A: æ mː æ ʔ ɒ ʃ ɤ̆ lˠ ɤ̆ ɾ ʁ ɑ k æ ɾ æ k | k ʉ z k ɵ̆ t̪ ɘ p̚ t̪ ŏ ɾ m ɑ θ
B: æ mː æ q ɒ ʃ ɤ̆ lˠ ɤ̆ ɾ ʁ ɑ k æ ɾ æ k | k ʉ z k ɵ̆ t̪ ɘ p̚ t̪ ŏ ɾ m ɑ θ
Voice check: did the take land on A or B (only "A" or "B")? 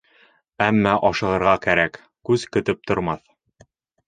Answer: A